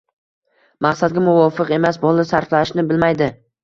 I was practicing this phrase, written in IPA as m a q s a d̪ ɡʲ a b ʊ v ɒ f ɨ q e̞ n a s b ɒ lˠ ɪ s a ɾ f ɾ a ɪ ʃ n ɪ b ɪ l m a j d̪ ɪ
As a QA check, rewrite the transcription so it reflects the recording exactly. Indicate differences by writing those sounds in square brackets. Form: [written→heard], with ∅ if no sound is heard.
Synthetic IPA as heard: m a q s a d̪ ɡʲ a [b→m] ʊ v ɒ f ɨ q e̞ [n→m] a s b ɒ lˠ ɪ s a ɾ f [ɾ→l] a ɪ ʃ n ɪ b ɪ l m a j d̪ ɪ